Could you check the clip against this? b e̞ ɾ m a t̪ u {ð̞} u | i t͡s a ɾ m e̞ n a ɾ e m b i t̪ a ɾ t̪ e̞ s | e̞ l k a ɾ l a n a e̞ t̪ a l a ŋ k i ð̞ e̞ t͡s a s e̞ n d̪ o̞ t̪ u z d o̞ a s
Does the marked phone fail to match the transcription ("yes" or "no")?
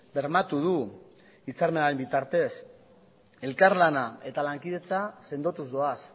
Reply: no